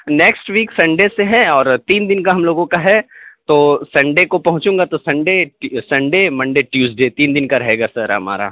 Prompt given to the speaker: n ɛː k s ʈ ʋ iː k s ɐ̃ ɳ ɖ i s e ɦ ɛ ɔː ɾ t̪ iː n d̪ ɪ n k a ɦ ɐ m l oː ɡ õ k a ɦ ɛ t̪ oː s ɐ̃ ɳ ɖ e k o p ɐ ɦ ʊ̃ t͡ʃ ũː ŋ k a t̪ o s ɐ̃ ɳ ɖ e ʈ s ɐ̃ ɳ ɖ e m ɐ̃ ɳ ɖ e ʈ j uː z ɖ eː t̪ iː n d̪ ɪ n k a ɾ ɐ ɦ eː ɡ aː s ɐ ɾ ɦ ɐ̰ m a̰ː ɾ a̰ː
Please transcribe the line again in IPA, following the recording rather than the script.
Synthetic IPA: n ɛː k s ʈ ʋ iː k s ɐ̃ ɳ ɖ e s e ɦ ɛ ɔː ɾ t̪ iː n d̪ ɪ n k a ɦ ɐ m l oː ɡ õ k a ɦ ɛ t̪ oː s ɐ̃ ɳ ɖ e k o p ɐ ɦ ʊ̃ t͡ʃ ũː ŋ ɡ a t̪ o s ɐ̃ ɳ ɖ e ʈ s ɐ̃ ɳ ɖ e m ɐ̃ ɳ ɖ e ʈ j uː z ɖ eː t̪ iː n d̪ ɪ n k a ɾ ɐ ɦ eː ɡ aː s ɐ ɾ ɦ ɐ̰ m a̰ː ɾ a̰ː

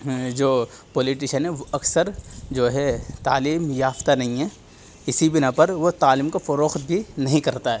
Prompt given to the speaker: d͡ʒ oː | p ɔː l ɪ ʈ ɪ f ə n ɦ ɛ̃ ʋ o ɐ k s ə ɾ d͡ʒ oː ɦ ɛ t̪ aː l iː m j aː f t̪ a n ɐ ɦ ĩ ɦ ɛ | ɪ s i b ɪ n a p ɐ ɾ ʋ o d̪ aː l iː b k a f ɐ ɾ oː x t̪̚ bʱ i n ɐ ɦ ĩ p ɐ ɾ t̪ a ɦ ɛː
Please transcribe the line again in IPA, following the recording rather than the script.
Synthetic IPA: d͡ʒ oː | p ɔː l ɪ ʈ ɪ ʃ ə n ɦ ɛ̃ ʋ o ɐ k s ə ɾ d͡ʒ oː ɦ ɛ t̪ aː l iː m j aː f t̪ a n ɐ ɦ ĩ ɦ ɛ | ɪ s i b ɪ n a p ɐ ɾ ʋ o t̪ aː l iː m k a f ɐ ɾ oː x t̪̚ bʱ i n ɐ ɦ ĩ k ɐ ɾ t̪ a ɦ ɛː

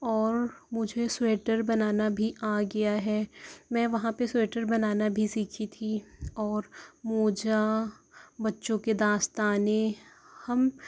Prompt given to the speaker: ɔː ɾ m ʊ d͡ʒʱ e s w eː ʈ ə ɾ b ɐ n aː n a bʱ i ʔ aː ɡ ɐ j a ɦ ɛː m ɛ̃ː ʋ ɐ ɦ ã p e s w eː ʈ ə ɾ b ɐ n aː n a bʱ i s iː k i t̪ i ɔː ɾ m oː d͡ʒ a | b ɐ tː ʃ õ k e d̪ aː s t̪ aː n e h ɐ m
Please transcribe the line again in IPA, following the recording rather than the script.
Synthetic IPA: ɔː ɾ m ʊ d͡ʒʱ e s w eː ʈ ə ɾ b ɐ n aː n a bʱ i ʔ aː ɡ ɐ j a ɦ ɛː m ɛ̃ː ʋ ɐ ɦ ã p e s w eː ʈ ə ɾ b ɐ n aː n a bʱ i s iː kʰ i t̪ʰ i ɔː ɾ m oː d͡ʒ a | b ɐ tː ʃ õ k e d̪ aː s t̪ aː n e h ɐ m

